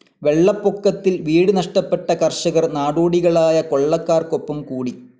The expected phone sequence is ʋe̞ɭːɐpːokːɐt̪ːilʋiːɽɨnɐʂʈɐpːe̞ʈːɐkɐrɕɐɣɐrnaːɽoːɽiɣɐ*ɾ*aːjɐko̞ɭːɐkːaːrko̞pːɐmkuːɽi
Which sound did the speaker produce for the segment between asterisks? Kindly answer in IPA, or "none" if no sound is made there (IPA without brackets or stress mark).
ɭ